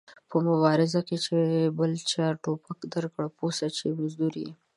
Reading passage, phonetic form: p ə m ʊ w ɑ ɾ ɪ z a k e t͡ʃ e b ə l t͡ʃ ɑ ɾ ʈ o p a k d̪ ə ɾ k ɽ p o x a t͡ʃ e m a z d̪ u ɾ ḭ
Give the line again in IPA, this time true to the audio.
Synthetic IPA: p ə m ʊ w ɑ ɾ ɪ z a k e t͡ʃ e b ə l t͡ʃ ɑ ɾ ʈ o p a k d̪ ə ɾ k ɽ p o s a t͡ʃ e m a z d̪ u ɾ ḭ